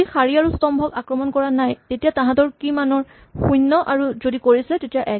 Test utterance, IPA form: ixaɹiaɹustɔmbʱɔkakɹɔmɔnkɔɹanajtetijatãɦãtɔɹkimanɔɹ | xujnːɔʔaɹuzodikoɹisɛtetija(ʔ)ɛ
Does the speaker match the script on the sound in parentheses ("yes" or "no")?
yes